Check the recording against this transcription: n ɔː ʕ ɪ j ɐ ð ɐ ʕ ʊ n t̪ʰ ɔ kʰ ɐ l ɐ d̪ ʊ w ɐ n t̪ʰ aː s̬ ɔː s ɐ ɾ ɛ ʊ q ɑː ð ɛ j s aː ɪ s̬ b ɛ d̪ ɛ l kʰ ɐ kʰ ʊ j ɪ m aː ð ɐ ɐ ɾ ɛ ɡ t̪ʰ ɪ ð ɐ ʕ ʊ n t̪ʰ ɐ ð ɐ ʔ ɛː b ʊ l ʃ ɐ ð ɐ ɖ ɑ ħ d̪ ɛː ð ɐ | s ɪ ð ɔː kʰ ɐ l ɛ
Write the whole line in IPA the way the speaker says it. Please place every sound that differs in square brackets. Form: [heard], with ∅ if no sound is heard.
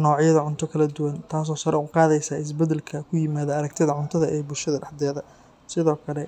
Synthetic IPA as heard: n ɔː ʕ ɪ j ɐ ð ɐ ʕ ʊ n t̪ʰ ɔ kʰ ɐ l ɐ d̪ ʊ w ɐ n t̪ʰ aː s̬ ɔː s ɐ ɾ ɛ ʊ q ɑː ð ɛ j s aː ɪ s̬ b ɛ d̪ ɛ l kʰ ɐ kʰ ʊ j ɪ m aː ð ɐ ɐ ɾ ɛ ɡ t̪ʰ ɪ ð ɐ ʕ ʊ n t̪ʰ ɐ ð ɐ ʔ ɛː b ʊ l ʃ ɐ ð ɐ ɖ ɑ ħ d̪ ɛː ð ɐ | s ɪ ð ɔː kʰ ɐ l ɛ